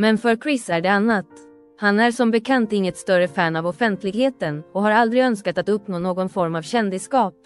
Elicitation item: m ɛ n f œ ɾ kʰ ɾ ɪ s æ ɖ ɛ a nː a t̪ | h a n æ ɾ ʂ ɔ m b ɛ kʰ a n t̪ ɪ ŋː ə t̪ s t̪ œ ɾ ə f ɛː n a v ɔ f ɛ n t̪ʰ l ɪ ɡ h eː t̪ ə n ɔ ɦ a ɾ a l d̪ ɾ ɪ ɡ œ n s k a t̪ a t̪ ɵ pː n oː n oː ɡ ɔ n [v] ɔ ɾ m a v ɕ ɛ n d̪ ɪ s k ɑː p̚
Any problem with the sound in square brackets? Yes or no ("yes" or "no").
yes